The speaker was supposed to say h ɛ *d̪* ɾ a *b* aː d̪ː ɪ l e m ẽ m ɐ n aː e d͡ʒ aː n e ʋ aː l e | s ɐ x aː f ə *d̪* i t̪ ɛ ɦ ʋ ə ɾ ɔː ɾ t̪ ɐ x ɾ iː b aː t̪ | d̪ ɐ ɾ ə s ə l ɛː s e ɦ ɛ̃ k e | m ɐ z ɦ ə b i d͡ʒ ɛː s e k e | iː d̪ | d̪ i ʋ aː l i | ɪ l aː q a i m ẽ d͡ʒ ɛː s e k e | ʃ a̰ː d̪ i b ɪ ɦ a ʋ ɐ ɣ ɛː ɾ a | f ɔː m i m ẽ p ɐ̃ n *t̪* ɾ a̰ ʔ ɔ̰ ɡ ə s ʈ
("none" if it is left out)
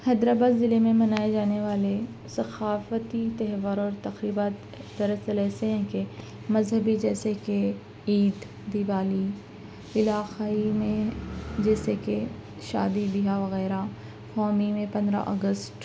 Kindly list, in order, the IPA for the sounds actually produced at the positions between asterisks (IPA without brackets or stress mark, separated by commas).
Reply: d̪, b, t̪, d̪